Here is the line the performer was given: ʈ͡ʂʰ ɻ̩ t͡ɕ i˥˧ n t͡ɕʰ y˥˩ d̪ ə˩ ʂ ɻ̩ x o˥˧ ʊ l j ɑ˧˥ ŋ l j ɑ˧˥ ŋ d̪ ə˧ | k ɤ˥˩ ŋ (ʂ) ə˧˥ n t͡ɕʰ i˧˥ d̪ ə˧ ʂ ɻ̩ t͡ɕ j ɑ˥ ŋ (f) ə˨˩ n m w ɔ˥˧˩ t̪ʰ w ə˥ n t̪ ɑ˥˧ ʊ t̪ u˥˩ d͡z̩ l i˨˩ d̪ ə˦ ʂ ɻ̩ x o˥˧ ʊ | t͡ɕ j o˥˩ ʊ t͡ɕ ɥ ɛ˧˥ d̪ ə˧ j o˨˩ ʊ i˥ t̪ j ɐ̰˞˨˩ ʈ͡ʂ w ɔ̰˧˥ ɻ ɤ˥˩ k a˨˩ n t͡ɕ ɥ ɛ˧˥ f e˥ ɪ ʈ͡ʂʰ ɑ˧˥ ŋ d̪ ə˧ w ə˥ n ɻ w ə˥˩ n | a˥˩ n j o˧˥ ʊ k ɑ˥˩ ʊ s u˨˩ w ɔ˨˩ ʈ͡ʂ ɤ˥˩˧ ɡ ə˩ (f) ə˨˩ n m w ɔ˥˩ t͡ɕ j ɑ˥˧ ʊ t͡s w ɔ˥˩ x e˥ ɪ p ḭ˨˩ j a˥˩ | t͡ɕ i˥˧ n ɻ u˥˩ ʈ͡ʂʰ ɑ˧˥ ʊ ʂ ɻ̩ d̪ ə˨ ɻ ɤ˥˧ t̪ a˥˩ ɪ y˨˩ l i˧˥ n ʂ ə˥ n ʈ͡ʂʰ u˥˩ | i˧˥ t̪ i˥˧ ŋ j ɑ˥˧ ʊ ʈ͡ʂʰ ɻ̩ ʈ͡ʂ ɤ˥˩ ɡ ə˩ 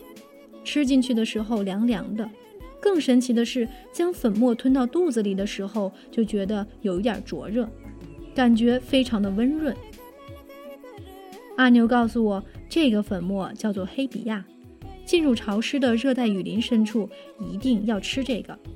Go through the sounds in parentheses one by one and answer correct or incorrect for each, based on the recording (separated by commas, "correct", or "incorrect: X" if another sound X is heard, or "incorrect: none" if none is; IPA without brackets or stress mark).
correct, correct, correct